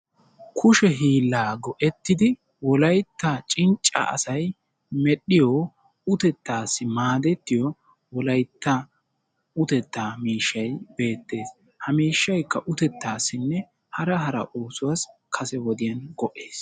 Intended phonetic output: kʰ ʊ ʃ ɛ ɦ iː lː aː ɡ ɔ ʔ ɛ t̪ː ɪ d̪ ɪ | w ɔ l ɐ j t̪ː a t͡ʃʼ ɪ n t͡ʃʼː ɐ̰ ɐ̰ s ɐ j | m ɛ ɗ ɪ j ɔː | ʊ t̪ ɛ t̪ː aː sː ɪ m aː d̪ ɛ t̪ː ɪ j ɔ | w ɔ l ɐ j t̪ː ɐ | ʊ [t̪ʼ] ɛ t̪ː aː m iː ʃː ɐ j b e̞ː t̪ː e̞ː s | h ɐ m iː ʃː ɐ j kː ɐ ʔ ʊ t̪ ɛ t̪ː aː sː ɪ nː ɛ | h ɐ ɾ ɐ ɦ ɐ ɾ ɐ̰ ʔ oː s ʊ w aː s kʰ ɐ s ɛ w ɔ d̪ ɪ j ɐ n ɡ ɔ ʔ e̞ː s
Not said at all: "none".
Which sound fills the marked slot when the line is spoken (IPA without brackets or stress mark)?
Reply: t̪